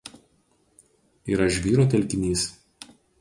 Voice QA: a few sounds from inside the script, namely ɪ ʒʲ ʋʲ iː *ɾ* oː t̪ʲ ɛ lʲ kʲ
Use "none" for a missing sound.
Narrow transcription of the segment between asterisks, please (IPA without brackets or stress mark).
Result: ɾ